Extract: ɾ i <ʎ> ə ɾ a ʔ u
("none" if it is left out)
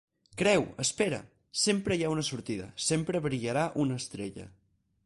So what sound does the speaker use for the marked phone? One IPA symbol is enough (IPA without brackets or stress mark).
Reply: ʎ